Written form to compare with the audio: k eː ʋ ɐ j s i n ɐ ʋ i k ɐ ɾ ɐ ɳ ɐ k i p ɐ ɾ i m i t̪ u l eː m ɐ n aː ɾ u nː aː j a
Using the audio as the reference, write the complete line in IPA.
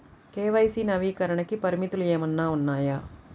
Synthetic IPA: k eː ʋ ɐ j s i n ɐ ʋ iː k ɐ ɾ ɐ ɳ ɐ k i p ɐ ɾ i m i t̪ u l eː m ɐ nː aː u nː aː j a

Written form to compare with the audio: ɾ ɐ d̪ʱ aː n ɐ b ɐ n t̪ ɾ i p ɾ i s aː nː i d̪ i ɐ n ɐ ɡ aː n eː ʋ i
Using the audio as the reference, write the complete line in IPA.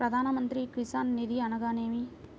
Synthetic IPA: ɾ ɐ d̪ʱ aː n ɐ m ɐ n t̪ ɾ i k ɾ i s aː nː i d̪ i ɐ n ɐ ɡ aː n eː ʋ i

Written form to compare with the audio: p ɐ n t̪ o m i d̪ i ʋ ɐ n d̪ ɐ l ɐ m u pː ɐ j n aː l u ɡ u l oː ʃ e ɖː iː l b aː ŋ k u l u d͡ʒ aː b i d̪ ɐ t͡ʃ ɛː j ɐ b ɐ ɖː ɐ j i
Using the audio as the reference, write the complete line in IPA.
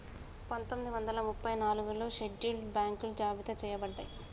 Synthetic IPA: p ɐ n t̪ o m i d̪ i ʋ ɐ n d̪ ɐ l ɐ m u pː ɐ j n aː l u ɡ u l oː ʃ e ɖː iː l b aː ŋ k u l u d͡ʒ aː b i t̪ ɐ t͡ʃ ɛː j ɐ b ɐ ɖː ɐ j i

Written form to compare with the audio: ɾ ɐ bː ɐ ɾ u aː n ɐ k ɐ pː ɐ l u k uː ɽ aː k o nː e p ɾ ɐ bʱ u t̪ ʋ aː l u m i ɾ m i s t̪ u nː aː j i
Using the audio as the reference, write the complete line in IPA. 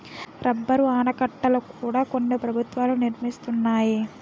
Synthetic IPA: ɾ ɐ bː ɐ ɾ u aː n ɐ k ɐ ʈː ɐ l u k uː ɽ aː k o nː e p ɾ ɐ bʱ u t̪ ʋ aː l u n i ɾ m i s t̪ u nː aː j i

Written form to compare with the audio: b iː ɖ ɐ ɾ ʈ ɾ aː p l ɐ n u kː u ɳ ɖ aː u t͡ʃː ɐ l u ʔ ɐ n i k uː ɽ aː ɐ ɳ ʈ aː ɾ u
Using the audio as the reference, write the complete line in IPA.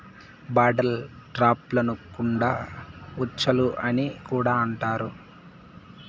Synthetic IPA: b aː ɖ ɐ l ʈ ɾ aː p l ɐ n u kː u ɳ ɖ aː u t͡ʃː ɐ l u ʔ ɐ n i k uː ɽ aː ɐ ɳ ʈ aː ɾ u

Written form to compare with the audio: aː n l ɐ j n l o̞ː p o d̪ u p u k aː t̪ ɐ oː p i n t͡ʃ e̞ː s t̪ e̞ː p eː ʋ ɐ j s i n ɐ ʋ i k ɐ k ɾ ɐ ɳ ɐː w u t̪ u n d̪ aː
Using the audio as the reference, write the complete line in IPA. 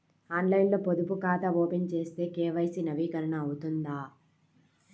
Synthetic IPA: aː n l ɐ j n l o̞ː p o d̪ u p u k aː t̪ ɐ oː p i n t͡ʃ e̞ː s t̪ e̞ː k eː ʋ ɐ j s i n ɐ ʋ iː k ɐ ɾ ɐ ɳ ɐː w u t̪ u n d̪ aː

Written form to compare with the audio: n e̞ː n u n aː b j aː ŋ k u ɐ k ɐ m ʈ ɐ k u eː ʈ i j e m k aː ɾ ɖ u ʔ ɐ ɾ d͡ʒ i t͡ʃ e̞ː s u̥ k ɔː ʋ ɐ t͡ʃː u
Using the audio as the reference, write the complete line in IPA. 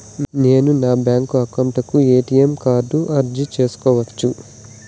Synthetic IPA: n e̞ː n u n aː b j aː ŋ k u ɐ k ɐ m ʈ ɐ k u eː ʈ i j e m k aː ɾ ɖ u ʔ ɐ ɾ d͡ʒ i t͡ʃ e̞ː s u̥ k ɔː ʋ ɐ t͡ʃː u

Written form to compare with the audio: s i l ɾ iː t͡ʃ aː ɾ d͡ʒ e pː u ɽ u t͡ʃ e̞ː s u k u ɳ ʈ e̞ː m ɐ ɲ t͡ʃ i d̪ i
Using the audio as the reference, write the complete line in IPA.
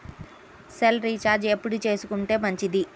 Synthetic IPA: s e l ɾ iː t͡ʃ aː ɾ d͡ʒ e pː u ɽ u t͡ʃ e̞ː s u k u ɳ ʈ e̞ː m ɐ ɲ t͡ʃ i d̪ i

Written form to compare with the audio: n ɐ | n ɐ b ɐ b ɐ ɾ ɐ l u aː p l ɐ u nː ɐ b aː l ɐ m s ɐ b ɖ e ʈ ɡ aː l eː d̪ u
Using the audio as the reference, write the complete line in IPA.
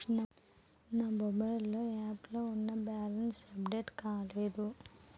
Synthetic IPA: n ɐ | n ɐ b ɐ b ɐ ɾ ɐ l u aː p l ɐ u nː ɐ b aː l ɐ n s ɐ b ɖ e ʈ k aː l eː d̪ u

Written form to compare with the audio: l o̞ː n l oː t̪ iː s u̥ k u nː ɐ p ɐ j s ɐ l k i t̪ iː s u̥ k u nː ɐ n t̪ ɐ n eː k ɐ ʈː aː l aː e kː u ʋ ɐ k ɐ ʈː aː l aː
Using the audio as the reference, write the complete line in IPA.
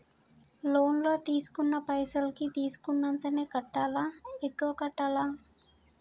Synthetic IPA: l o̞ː n l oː t̪ iː s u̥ k u nː ɐ p ɐ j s ɐ l k i t̪ iː s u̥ k u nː ɐ n t̪ ɐ n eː k ɐ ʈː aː l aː e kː u ʋ ɐ k ɐ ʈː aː l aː

